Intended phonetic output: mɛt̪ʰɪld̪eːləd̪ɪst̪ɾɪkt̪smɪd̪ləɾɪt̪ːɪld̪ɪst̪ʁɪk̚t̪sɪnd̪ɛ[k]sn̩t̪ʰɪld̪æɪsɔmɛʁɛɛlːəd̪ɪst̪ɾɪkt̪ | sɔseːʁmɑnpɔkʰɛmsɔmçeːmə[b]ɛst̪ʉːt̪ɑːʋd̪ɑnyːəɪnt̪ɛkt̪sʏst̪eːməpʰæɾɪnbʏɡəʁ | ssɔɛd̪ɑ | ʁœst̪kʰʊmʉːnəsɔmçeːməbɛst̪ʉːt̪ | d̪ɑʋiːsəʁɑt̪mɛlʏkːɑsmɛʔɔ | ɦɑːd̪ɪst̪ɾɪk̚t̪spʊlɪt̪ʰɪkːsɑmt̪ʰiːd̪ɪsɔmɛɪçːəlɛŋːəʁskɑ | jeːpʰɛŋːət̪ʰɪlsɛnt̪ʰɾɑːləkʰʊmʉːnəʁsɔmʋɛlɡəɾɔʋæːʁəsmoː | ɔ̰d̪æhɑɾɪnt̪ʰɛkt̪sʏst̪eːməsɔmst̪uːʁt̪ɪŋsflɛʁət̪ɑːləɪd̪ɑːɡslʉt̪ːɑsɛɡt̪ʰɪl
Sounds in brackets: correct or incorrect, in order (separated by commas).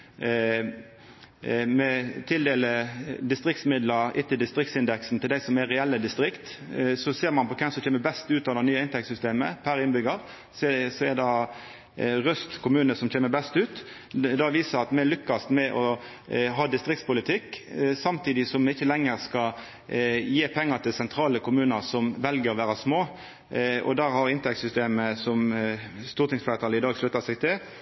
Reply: correct, correct